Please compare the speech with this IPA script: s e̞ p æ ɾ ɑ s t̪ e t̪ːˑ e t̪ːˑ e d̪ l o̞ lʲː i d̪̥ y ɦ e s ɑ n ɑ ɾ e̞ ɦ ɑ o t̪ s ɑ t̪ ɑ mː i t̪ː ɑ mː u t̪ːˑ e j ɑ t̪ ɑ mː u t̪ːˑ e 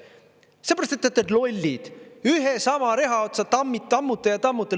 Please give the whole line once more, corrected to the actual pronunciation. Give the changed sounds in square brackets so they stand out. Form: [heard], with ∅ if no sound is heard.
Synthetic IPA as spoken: s e̞ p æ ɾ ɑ s t̪ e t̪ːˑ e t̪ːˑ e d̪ l o̞ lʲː i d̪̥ y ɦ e s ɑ [m] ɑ ɾ e̞ ɦ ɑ o t̪ s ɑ t̪ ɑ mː i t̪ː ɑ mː u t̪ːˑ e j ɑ t̪ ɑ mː u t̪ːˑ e